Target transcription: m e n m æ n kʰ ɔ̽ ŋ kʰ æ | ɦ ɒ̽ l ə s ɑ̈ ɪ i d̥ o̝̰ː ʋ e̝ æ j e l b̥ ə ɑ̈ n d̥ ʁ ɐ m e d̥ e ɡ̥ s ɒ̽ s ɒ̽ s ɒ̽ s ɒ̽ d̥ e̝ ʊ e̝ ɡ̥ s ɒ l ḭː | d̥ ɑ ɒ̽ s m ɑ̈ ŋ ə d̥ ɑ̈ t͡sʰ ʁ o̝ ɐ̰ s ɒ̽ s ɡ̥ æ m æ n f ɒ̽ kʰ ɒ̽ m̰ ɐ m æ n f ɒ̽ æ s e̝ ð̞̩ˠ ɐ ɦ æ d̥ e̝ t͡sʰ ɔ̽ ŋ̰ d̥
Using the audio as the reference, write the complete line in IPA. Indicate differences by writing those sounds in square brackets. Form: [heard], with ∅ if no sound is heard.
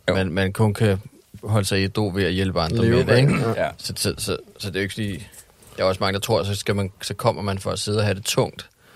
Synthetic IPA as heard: m e n m æ n kʰ ɔ̽ [n] kʰ æ | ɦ ɒ̽ l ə s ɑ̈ ɪ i d̥ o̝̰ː ʋ e̝ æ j e l b̥ ə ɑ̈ n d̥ ʁ ɐ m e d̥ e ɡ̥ s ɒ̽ s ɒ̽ s ɒ̽ s ɒ̽ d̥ e̝ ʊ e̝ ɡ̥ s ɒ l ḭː | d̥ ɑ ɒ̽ s m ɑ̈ ŋ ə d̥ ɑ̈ t͡sʰ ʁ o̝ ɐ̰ s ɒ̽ s ɡ̥ æ m æ n [s] ɒ̽ kʰ ɒ̽ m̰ ɐ m æ n f ɒ̽ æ s e̝ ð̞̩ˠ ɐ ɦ æ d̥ e̝ t͡sʰ ɔ̽ ŋ̰ d̥